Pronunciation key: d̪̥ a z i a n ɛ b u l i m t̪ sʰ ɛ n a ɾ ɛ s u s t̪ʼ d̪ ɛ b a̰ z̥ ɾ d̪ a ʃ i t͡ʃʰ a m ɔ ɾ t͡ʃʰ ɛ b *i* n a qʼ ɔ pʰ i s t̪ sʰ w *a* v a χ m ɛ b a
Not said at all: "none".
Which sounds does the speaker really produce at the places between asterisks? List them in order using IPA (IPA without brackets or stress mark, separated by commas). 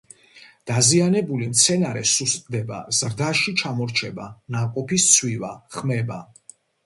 a, i